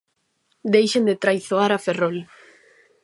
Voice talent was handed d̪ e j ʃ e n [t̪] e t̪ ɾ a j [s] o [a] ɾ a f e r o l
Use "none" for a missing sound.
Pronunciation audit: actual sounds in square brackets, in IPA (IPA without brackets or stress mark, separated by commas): d̪, θ, a